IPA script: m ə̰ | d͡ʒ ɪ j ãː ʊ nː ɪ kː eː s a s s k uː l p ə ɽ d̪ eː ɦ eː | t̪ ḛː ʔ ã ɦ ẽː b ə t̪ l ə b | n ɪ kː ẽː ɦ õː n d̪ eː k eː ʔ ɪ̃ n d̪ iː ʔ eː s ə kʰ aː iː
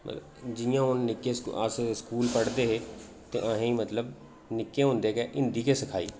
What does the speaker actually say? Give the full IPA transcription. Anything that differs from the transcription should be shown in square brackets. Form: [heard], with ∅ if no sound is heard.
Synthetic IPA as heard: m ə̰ | d͡ʒ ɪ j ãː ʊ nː ɪ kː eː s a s s k uː l p ə ɽ d̪ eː ɦ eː | t̪ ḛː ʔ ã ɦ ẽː [m] ə t̪ l ə b | n ɪ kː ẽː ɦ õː n d̪ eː k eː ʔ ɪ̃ n d̪ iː [k] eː s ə kʰ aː iː